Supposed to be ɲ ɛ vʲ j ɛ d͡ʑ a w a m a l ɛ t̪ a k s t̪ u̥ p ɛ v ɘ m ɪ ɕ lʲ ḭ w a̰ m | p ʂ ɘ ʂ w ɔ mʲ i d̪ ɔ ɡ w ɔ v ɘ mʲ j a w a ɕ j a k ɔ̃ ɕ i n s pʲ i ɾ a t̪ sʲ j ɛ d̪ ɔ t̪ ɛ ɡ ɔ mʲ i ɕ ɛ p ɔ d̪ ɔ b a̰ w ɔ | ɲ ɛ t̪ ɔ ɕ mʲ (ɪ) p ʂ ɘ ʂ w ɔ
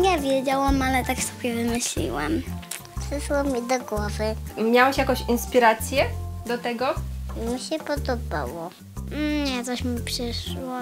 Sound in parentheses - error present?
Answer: yes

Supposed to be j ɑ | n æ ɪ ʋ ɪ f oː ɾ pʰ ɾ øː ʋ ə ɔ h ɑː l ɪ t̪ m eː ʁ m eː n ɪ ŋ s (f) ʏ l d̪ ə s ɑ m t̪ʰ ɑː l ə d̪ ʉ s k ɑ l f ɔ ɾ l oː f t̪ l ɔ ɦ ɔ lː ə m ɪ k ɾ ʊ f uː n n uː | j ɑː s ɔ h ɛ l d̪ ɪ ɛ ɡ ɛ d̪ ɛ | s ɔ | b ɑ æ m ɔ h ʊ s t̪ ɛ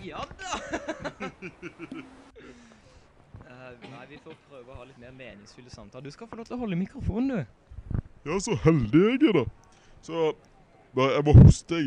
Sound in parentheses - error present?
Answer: no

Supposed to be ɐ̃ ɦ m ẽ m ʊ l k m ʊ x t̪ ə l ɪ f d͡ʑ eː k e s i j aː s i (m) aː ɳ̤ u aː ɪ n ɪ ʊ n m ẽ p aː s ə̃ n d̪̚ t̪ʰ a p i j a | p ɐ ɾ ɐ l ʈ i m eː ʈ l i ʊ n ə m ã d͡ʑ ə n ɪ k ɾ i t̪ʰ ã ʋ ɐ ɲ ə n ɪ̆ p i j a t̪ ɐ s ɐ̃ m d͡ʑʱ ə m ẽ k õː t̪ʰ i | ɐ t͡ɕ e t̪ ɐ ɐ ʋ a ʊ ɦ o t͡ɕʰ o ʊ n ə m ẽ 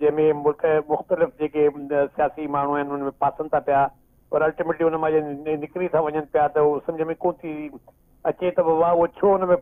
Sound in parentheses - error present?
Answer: no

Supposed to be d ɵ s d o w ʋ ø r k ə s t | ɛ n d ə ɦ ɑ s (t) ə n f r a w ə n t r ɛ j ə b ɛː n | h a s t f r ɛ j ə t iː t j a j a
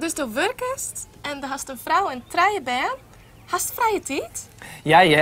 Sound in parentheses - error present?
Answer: no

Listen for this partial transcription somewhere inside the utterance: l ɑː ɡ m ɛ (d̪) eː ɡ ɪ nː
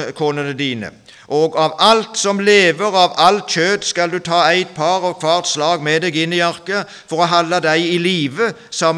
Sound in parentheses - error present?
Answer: no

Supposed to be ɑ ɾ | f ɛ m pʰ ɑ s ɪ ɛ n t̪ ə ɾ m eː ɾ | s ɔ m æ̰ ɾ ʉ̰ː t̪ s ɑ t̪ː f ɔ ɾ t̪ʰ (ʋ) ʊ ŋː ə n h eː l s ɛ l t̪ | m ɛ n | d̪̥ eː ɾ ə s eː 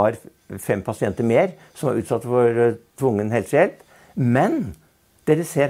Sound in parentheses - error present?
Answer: no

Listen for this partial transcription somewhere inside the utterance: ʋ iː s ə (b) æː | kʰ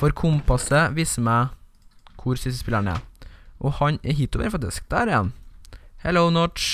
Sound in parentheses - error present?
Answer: yes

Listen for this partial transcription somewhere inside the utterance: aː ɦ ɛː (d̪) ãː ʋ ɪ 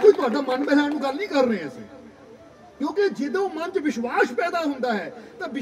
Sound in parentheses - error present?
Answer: yes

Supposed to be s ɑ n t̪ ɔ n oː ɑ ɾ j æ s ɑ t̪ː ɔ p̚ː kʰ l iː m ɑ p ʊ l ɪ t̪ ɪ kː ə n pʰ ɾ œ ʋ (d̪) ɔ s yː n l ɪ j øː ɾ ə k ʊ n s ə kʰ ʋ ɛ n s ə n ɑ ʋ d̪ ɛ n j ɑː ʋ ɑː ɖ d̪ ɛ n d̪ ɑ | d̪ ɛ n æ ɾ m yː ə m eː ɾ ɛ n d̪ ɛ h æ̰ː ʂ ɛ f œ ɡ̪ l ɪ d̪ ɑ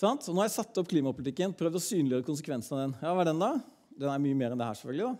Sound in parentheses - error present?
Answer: no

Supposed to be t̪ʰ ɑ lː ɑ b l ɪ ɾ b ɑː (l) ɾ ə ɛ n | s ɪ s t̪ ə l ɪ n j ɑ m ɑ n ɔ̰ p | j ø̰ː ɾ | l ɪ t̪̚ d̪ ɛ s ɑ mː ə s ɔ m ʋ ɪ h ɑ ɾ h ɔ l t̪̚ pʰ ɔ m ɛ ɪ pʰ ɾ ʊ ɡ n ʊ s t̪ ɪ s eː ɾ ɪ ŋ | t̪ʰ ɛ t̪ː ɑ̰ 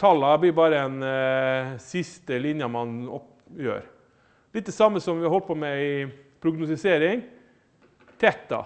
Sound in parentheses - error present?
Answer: yes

